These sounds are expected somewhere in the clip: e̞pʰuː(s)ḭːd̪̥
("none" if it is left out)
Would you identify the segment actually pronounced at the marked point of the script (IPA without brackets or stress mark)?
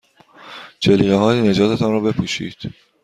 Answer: ʃ